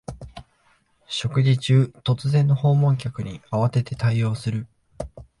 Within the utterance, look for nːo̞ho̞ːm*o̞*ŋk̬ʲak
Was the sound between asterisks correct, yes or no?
no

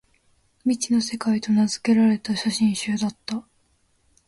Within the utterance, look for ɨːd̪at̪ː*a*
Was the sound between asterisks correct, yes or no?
yes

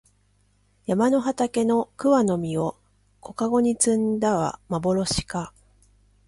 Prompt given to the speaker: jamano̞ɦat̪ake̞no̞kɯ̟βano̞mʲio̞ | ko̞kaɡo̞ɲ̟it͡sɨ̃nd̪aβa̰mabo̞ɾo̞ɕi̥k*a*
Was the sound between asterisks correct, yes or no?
yes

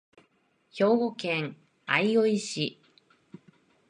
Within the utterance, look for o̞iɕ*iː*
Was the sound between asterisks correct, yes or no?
no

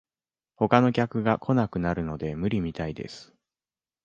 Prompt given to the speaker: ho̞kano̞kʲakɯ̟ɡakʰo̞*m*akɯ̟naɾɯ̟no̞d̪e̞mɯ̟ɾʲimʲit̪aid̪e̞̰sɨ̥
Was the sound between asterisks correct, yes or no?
no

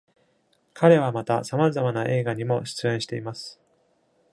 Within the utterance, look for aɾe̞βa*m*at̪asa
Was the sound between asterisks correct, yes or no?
yes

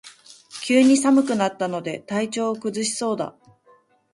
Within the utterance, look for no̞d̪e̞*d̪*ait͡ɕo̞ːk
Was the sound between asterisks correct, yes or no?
no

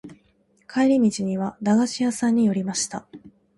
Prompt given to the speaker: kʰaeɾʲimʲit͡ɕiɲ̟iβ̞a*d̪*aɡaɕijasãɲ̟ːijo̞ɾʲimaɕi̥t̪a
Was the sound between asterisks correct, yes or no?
yes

